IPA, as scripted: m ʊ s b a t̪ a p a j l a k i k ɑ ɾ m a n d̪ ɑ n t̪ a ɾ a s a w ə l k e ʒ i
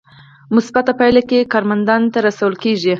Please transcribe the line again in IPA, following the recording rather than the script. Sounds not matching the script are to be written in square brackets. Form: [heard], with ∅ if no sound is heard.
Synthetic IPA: m ʊ s b a t̪ a p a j l a k [e] k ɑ ɾ m a n d̪ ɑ n t̪ a ɾ a s a w ə l k e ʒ i